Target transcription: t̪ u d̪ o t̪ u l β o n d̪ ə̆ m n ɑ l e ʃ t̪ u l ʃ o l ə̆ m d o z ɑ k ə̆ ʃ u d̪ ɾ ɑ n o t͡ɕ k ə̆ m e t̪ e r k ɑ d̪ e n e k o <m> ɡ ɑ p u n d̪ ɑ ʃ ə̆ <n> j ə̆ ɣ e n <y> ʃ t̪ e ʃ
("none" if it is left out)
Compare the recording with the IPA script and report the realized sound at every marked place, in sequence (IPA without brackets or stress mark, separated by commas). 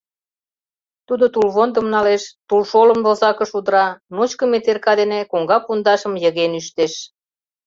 ŋ, m, y